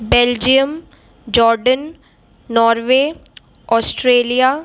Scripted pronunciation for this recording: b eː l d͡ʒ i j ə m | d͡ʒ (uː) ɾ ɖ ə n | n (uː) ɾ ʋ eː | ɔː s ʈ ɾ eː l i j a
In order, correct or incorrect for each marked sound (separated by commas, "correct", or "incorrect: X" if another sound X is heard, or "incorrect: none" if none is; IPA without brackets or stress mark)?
incorrect: ɔː, incorrect: ɔː